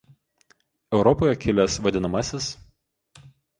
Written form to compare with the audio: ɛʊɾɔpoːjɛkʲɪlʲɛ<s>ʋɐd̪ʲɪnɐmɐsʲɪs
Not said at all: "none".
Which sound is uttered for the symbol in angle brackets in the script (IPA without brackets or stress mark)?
s